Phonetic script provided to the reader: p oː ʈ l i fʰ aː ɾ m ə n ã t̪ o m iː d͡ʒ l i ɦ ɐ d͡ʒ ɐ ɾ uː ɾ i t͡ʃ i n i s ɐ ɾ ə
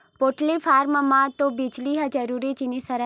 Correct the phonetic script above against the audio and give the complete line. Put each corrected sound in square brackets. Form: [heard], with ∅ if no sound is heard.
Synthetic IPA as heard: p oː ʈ l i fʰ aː ɾ m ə [m] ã t̪ o [b] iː d͡ʒ l i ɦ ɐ d͡ʒ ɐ ɾ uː ɾ i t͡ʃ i n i s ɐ ɾ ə